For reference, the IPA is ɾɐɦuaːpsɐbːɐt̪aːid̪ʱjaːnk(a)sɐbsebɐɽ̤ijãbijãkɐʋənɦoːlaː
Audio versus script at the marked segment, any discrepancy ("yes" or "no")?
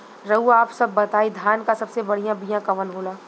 no